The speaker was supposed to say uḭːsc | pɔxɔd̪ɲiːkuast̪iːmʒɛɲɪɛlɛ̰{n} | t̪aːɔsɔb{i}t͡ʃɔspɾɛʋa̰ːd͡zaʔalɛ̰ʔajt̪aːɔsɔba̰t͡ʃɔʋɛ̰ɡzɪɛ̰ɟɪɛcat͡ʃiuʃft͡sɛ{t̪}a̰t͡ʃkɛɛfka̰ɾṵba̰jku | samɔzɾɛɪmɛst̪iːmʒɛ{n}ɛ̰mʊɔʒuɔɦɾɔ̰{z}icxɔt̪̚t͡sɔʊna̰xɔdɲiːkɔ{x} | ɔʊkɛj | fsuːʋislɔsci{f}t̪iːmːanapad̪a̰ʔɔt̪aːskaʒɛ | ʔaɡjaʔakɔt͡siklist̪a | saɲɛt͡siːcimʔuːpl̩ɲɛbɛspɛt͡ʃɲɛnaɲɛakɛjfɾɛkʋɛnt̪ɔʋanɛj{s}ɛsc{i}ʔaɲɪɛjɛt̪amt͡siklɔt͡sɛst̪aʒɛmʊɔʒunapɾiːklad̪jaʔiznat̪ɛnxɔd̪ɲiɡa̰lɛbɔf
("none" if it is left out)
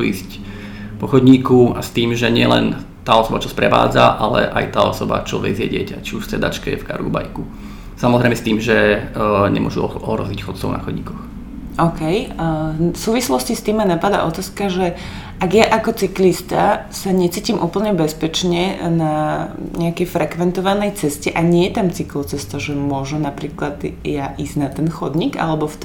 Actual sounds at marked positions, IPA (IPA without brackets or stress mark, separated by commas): n, a, d̪, ɲ, z, x, s, t͡s, ɛ